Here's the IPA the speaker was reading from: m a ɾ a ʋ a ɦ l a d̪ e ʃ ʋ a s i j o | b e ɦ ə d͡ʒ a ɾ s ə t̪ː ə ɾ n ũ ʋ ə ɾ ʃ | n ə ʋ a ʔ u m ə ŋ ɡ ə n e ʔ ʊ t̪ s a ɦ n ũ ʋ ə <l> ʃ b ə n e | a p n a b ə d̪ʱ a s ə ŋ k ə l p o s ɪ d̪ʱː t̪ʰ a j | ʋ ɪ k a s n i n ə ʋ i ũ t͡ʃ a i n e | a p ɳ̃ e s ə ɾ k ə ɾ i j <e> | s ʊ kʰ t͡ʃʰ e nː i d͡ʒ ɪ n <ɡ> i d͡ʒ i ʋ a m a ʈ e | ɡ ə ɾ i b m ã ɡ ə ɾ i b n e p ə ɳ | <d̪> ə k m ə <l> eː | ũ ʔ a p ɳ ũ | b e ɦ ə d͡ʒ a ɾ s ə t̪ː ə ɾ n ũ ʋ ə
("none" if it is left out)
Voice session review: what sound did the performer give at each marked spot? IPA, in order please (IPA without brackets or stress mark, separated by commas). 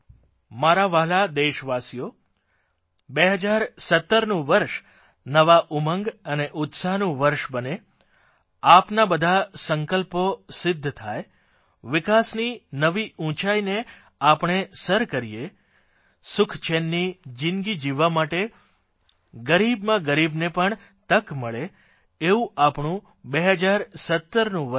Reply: ɾ, e, ɡ, t̪, ɭ